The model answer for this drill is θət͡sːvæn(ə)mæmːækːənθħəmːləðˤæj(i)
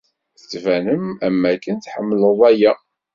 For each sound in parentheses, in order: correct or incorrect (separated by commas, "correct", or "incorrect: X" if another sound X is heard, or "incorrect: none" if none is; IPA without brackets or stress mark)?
correct, incorrect: æ